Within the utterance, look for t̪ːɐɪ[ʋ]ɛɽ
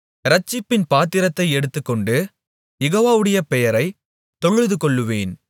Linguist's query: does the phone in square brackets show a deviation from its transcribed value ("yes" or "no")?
yes